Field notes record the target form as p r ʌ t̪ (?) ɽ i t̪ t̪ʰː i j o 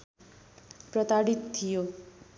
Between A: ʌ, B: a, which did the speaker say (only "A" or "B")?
B